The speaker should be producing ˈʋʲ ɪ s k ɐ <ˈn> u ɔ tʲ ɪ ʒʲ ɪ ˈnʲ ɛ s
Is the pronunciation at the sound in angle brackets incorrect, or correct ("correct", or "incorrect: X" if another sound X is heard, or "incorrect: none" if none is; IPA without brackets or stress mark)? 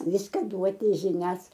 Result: incorrect: d